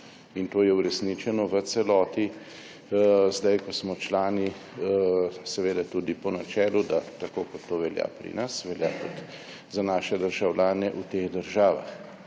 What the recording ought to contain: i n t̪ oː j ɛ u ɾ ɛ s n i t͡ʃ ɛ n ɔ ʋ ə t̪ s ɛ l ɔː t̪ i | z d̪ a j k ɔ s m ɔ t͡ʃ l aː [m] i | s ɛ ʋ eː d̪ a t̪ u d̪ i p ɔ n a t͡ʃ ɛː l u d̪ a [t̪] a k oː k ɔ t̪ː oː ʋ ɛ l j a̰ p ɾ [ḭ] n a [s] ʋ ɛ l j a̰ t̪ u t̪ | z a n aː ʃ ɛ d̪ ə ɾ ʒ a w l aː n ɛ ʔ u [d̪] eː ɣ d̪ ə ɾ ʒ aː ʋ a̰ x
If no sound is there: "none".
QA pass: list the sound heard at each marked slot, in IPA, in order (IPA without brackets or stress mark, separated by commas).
n, t̪, ḭ, s, t̪